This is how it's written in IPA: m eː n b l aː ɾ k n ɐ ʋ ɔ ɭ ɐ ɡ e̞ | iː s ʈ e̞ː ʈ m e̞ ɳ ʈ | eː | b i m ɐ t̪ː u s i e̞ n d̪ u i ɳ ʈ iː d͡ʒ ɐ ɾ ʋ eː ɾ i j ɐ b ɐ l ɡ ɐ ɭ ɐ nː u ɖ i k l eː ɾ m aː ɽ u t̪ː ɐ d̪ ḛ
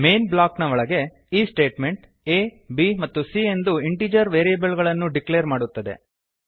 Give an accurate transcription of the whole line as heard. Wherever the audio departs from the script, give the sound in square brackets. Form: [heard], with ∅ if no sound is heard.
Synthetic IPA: m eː n b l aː [∅] k n ɐ ʋ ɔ ɭ ɐ ɡ e̞ | iː s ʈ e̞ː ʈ m e̞ ɳ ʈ | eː | b i m ɐ t̪ː u s i e̞ n d̪ u i ɳ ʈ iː d͡ʒ ɐ ɾ ʋ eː ɾ i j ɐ b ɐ l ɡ ɐ ɭ ɐ nː u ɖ i k l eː ɾ m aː ɽ u t̪ː ɐ d̪ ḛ